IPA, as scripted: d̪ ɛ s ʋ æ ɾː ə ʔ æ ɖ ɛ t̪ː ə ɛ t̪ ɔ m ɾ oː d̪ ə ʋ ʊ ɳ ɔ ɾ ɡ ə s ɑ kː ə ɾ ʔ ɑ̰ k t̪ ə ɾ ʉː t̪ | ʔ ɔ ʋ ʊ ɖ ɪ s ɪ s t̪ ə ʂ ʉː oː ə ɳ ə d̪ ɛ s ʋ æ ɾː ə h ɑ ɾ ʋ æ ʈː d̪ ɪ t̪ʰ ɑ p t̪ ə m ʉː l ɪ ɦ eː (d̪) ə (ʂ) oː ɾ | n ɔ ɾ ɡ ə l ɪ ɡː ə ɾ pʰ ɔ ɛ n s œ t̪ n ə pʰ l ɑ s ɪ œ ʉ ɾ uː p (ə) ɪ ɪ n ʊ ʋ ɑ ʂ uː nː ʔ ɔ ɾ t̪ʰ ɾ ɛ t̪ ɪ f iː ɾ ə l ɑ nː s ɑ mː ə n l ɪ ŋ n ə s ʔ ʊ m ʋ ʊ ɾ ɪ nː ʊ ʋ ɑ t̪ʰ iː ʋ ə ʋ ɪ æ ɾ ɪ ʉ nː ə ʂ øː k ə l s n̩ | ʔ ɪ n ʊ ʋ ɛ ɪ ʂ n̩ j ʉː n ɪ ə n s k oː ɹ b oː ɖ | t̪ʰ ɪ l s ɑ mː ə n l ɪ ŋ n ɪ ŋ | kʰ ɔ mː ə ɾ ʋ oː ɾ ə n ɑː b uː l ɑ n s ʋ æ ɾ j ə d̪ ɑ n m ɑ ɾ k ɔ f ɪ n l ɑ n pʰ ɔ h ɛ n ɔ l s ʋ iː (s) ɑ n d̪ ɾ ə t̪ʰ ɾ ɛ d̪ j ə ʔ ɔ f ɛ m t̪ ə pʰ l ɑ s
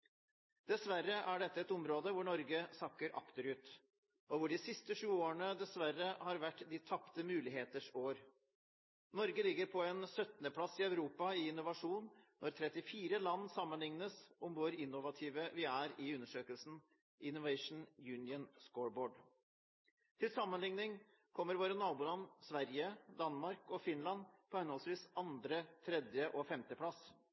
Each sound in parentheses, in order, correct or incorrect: incorrect, correct, incorrect, correct

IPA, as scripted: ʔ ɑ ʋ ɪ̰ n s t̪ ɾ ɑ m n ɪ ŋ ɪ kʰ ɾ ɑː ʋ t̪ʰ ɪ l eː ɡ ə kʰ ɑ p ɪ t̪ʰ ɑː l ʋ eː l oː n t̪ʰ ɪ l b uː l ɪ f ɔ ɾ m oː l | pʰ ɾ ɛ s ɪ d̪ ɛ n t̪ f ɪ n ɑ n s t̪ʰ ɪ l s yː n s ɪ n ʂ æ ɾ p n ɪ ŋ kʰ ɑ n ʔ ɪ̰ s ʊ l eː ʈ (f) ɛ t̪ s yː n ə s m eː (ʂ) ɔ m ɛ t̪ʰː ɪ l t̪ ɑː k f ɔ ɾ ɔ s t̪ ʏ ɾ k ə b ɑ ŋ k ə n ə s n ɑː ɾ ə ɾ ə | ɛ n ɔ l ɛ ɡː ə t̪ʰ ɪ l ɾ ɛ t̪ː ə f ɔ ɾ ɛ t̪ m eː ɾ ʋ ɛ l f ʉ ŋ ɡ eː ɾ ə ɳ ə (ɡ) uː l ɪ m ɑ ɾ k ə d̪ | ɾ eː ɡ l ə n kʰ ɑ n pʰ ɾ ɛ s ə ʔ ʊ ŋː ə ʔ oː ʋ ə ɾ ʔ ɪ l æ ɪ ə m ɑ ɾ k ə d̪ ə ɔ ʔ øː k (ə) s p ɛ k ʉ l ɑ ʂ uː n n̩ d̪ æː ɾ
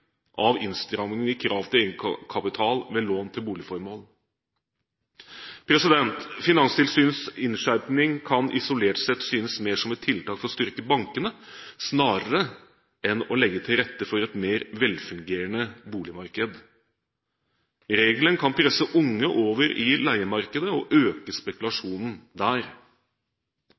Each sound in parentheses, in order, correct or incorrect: incorrect, correct, incorrect, correct

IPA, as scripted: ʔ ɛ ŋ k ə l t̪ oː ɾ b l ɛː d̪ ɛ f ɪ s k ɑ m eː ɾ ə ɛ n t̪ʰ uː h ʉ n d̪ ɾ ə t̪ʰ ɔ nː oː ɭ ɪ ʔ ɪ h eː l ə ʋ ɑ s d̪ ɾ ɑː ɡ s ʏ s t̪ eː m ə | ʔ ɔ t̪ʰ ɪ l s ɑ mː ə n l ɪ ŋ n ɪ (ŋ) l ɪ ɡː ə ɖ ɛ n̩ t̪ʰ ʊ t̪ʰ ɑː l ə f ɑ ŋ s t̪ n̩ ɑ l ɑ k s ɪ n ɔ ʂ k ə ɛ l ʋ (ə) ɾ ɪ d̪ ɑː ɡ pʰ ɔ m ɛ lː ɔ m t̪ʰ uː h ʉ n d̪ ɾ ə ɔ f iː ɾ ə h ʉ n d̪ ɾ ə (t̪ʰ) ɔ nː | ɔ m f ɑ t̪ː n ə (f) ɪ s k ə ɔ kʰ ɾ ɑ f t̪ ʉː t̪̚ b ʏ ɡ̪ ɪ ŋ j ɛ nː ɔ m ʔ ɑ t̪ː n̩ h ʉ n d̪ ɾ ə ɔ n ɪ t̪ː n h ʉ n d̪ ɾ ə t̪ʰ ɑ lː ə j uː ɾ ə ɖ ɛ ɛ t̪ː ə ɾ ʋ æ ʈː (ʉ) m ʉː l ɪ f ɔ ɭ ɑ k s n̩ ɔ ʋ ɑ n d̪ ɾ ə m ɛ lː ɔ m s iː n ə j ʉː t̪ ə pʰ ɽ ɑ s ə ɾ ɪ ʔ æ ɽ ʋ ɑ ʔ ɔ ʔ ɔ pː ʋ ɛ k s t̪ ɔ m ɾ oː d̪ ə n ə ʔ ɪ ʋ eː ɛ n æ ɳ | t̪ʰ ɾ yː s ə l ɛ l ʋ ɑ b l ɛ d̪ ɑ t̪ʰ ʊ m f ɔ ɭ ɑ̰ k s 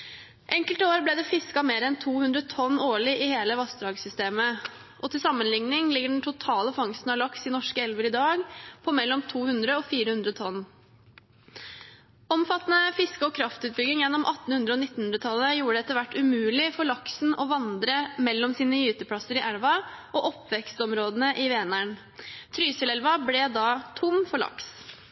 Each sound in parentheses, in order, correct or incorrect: correct, correct, correct, correct, correct

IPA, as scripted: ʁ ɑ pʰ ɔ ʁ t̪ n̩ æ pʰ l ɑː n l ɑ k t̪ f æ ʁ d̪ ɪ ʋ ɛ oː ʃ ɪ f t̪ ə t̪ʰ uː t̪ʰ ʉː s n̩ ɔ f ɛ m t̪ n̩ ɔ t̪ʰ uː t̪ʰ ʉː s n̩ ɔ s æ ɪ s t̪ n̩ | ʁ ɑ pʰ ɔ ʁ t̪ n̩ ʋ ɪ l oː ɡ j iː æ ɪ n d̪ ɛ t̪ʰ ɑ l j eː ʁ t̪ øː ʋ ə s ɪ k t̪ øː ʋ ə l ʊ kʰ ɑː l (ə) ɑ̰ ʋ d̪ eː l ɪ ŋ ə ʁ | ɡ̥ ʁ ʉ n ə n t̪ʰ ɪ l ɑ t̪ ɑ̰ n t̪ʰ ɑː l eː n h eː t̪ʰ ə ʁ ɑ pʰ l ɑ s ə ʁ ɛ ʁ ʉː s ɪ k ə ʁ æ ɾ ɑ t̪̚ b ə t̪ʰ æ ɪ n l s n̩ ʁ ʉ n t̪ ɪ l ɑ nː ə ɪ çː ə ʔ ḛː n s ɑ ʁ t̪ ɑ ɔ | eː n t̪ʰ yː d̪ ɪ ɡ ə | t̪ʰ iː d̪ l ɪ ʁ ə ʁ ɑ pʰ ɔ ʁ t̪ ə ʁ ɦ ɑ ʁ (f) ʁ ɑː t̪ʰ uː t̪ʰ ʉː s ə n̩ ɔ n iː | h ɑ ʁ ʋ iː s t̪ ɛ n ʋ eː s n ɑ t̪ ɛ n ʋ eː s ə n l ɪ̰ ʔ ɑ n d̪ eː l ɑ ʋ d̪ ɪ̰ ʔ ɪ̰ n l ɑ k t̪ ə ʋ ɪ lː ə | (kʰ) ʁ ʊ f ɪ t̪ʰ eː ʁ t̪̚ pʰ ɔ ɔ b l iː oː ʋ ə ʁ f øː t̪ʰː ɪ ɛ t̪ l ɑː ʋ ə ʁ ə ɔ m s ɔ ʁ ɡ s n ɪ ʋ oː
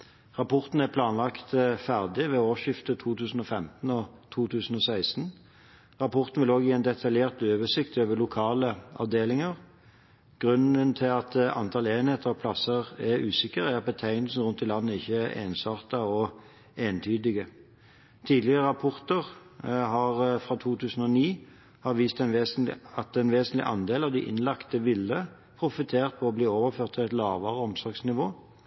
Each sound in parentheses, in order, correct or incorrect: correct, correct, incorrect

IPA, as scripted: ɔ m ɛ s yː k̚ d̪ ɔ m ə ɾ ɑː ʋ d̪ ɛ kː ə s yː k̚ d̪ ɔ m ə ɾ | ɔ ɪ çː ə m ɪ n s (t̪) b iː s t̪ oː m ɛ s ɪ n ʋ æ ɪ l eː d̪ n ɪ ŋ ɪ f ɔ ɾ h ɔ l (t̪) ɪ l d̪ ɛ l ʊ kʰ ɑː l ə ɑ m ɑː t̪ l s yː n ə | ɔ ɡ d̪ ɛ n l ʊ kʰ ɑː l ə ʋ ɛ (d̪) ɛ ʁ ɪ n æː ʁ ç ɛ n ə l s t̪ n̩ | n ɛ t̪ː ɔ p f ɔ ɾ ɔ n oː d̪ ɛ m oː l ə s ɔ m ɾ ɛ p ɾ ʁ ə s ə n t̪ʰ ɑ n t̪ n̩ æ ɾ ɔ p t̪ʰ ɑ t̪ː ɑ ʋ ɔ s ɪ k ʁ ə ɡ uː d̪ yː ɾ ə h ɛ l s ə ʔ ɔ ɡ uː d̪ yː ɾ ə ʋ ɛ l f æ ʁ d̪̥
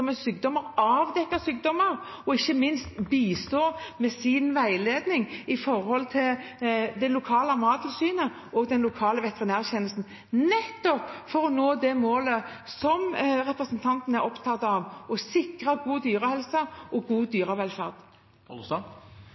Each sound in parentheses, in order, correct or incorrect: correct, incorrect, incorrect

